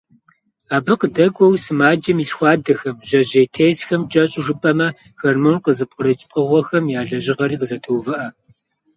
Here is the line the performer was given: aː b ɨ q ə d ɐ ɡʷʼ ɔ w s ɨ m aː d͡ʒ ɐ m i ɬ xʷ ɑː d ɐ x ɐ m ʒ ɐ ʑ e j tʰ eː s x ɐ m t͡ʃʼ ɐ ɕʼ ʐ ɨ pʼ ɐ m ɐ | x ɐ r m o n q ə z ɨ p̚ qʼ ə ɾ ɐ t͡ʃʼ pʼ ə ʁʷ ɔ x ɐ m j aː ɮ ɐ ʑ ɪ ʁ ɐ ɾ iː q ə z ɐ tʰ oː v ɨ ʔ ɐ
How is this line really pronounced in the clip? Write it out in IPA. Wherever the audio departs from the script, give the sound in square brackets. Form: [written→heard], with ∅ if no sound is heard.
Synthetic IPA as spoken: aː b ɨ q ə d ɐ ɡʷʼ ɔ w s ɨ m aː d͡ʒ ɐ m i ɬ xʷ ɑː d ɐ x ɐ m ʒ ɐ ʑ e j tʰ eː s x ɐ m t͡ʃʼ ɐ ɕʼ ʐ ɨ pʼ ɐ m ɐ | x ɐ r m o n q ə z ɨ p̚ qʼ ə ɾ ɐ t͡ʃʼ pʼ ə ʁʷ ɔ x ɐ m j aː ɮ ɐ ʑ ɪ ʁ ɐ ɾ iː q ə z ɐ tʰ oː v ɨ ʔ ɐ